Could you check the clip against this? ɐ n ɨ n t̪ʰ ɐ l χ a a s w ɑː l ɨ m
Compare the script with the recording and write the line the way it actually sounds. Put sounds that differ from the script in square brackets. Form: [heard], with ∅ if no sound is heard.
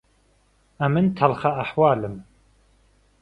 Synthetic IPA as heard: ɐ [m] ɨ n t̪ʰ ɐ l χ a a [ħ] w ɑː l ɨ m